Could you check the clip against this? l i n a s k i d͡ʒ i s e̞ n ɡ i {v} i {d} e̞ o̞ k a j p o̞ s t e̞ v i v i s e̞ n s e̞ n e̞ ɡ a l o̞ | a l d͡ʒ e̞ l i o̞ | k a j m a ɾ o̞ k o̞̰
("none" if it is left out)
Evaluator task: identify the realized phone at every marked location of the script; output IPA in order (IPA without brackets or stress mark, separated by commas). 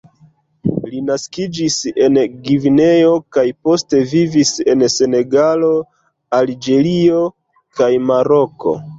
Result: v, n